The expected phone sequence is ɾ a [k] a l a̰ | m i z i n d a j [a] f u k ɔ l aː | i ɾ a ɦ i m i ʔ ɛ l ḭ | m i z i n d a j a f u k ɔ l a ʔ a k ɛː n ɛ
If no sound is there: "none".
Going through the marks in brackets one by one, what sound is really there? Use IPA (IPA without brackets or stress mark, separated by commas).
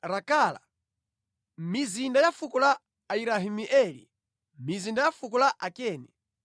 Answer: k, a